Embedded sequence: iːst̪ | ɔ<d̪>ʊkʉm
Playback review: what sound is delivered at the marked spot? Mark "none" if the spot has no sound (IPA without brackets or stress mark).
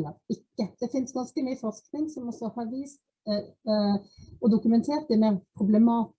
d̪